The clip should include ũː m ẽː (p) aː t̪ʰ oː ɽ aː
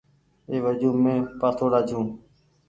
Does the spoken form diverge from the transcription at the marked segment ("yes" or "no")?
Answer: no